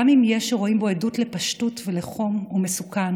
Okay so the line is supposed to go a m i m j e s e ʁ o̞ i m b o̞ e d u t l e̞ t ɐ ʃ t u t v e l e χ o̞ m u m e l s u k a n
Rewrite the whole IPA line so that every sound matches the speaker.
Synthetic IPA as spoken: a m i m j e ʃ e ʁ o̞ i m b o̞ e d u t l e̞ p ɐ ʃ t u t v e l e χ o̞ m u m e s u k a n

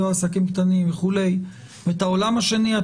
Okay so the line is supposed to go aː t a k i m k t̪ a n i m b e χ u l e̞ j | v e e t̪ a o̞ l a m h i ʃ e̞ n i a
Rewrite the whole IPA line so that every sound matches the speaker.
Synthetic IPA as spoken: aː s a k i m k t̪ a n i m v e χ u l e̞ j | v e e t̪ a o̞ l a m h a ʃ e̞ n i a

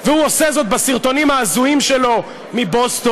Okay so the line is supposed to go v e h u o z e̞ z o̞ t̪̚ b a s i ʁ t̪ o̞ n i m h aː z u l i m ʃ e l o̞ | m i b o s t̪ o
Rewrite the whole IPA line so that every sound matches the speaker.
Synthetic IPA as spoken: v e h u o s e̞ z o̞ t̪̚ b a s i ʁ t̪ o̞ n i m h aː z u i m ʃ e l o̞ | m i b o s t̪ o

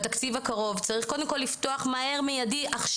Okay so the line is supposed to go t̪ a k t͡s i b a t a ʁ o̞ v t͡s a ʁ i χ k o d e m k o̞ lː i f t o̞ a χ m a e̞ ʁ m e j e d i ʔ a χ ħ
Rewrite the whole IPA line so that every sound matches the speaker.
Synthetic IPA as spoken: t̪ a k t͡s i v a k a ʁ o̞ v t͡s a ʁ i χ k o d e m k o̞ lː i f t o̞ a χ m a e̞ ʁ m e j a d i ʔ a χ ʃ

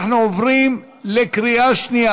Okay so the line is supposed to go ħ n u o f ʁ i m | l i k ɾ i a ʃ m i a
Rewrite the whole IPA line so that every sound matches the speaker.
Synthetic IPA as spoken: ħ n u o v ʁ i m | l e k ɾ i a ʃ n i a

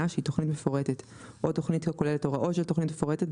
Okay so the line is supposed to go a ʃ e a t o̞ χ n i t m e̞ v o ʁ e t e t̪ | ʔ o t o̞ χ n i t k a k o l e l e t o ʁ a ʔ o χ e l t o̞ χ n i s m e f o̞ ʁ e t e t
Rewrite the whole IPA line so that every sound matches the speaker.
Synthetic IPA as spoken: a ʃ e i t o̞ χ n i t m e̞ f o ʁ e t e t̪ | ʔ o t o̞ χ n i t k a k o l e l e t o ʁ a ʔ o ʃ e l t o̞ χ n i t m e f o̞ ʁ e t e t

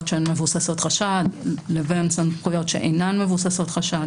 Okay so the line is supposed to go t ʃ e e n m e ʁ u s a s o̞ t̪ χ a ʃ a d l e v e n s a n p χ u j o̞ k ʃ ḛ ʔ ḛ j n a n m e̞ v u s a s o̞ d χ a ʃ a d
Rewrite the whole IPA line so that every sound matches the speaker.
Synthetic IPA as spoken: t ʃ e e n m e v u s a s o̞ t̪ χ a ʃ a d l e v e n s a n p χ u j o̞ t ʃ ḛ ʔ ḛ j n a n m e̞ v u s a s o̞ t χ a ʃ a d

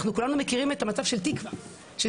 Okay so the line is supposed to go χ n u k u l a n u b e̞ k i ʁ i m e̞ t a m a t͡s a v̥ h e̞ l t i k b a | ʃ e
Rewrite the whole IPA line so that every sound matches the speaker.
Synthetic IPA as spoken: χ n u k u l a n u m e̞ k i ʁ i m e̞ t a m a t͡s a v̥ ʃ e̞ l t i k v a | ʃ e

